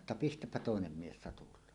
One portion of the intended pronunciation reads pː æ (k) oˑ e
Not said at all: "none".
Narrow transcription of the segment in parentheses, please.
t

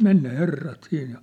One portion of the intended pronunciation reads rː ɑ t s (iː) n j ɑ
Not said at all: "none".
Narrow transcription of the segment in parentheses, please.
iː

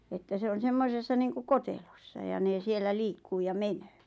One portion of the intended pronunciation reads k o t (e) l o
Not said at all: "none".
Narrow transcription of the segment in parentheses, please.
e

